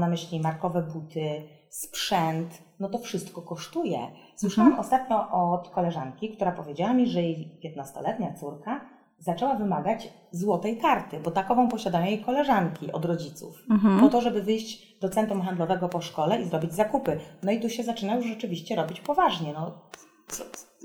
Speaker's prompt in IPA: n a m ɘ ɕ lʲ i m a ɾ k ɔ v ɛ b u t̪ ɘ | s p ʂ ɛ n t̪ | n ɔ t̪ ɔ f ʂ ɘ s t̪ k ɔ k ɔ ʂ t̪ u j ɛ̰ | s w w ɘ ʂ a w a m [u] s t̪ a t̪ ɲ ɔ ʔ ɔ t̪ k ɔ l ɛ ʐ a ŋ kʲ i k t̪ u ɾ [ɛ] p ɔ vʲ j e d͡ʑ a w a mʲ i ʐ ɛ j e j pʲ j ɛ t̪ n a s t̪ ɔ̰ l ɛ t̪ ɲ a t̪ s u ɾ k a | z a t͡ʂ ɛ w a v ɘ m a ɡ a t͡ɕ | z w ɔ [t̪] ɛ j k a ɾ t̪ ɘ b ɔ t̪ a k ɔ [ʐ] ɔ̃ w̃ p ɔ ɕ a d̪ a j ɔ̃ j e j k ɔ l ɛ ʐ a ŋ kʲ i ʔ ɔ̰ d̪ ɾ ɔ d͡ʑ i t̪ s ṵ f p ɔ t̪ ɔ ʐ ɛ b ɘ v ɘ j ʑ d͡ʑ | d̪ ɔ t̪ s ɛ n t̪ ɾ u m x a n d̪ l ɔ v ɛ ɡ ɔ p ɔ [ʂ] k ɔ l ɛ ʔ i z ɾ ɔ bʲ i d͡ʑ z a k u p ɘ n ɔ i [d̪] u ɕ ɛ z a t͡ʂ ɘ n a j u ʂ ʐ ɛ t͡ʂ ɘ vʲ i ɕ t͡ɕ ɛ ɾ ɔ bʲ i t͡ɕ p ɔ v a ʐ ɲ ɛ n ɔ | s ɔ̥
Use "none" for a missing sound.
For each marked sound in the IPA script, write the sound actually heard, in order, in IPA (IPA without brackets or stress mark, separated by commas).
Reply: ɔ, a, t̪, v, ʂ, t̪